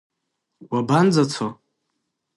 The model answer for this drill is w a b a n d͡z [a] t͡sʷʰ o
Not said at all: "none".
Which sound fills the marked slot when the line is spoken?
a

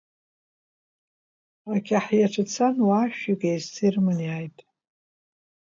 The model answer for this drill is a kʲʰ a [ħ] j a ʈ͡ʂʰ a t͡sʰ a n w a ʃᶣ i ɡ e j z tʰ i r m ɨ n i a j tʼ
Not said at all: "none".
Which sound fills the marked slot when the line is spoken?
ħ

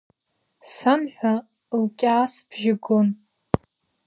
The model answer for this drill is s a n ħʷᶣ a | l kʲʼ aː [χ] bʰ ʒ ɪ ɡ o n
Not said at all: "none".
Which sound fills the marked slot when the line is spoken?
s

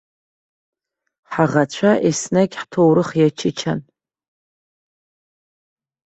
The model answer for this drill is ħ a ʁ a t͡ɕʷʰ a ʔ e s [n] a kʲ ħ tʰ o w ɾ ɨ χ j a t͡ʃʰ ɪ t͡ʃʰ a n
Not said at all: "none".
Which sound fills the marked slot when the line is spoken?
n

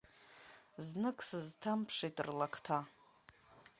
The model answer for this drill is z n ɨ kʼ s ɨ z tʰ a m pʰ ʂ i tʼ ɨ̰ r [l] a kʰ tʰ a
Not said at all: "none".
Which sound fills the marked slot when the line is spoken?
l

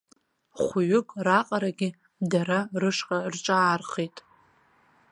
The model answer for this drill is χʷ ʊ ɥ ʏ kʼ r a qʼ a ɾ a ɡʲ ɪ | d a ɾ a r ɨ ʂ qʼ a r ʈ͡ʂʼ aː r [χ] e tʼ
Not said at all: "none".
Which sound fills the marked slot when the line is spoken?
χ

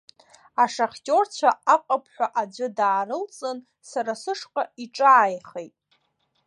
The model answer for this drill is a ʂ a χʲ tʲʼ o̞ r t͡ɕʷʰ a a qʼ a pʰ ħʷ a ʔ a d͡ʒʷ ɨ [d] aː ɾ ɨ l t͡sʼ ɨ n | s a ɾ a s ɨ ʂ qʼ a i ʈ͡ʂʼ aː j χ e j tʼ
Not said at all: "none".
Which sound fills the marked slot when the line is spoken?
d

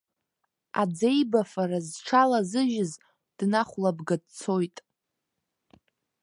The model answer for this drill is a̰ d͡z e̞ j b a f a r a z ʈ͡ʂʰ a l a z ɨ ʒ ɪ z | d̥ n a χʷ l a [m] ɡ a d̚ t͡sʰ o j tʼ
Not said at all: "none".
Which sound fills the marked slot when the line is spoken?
b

